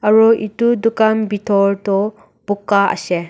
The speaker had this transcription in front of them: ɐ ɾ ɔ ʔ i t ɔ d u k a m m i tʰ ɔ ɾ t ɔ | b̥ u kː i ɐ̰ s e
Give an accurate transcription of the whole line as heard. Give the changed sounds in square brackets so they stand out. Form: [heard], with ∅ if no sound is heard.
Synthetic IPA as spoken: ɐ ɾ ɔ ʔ i t [u] d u k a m [b] i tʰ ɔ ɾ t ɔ | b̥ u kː [a] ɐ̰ s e